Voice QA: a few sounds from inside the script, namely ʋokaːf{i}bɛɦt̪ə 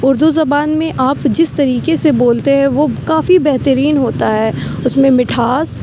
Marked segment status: correct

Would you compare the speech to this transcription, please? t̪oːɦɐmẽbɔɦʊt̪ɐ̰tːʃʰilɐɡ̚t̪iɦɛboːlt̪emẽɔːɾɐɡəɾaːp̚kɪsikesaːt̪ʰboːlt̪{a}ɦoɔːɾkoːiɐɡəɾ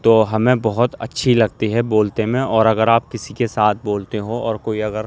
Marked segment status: incorrect: e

